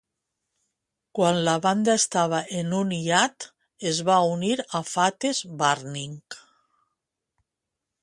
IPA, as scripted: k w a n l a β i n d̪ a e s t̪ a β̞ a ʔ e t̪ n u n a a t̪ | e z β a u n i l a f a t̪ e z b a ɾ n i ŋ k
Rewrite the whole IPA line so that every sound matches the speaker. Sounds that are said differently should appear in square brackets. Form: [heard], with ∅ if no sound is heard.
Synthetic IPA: k w a n l a β [a] n d̪ a e s t̪ a β̞ a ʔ e [∅] n u n [i] a t̪ | e z β a u n i [ɾ] a f a t̪ e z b a ɾ n i ŋ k